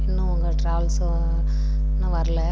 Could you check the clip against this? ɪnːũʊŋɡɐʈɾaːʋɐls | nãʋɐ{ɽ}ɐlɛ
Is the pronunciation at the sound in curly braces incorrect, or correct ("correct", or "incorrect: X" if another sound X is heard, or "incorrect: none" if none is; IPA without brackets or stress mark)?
incorrect: ɾ